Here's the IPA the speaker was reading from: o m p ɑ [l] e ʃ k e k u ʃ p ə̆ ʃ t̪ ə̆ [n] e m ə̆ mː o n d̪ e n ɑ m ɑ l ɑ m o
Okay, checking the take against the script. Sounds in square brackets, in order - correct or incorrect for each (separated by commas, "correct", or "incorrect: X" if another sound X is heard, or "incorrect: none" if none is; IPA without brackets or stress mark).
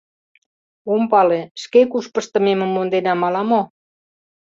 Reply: correct, incorrect: m